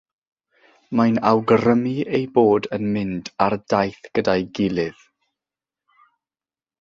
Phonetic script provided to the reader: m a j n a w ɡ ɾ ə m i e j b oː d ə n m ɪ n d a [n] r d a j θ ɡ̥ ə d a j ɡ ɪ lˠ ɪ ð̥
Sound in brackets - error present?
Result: yes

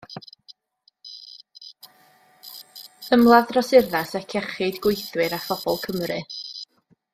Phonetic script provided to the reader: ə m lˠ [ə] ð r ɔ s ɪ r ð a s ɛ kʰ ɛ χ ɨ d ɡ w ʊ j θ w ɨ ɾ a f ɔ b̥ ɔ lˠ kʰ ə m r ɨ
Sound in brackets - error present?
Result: yes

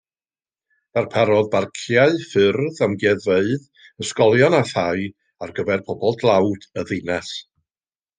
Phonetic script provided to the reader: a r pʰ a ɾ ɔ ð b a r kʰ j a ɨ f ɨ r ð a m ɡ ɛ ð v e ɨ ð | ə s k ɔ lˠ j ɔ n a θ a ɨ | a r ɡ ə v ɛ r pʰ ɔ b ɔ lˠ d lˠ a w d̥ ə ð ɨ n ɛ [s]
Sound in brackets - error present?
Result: no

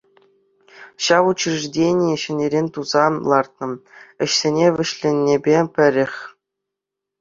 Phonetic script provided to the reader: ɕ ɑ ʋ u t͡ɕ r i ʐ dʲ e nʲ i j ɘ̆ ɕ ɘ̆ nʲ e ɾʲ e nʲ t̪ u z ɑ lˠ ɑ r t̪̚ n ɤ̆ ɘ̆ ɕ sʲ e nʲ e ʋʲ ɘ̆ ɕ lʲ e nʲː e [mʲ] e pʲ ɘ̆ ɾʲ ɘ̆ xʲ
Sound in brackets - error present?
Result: yes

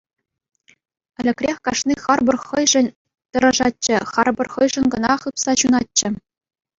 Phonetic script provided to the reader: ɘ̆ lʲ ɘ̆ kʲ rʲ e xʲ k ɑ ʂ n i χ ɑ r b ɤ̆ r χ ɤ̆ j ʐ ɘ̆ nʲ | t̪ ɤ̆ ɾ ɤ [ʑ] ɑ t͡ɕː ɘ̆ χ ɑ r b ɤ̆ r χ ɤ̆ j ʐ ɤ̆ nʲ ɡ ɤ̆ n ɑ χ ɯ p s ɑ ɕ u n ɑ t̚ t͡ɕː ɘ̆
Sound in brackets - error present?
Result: yes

